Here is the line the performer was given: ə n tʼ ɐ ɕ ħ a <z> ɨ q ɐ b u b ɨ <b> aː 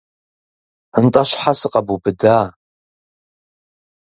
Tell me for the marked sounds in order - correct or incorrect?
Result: incorrect, incorrect

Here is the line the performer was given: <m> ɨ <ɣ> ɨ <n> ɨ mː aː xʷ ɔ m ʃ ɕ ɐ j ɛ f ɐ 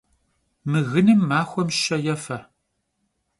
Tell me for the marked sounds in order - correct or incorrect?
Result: correct, correct, correct

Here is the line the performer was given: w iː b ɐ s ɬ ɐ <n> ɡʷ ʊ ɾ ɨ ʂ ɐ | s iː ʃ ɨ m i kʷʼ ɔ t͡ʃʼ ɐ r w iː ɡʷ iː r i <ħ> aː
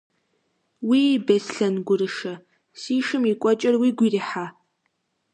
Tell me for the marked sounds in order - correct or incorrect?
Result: correct, correct

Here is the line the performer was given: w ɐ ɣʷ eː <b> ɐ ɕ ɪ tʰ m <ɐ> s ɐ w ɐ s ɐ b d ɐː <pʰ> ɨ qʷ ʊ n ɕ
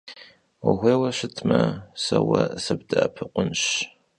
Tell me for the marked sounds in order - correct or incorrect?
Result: incorrect, correct, correct

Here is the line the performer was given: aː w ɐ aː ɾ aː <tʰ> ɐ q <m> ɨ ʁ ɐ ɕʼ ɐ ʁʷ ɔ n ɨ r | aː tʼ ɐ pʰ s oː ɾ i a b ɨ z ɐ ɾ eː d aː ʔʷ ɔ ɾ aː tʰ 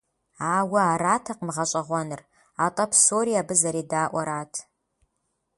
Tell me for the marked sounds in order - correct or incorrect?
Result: correct, correct

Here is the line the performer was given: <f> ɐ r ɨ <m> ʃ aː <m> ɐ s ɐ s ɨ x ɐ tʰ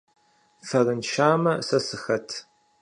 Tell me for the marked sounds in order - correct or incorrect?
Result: correct, incorrect, correct

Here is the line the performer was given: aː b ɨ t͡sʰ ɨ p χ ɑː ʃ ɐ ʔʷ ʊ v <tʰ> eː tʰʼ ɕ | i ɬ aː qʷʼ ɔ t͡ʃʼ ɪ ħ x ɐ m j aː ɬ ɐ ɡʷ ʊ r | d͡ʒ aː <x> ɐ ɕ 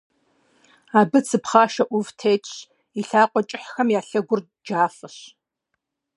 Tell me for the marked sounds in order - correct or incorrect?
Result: correct, incorrect

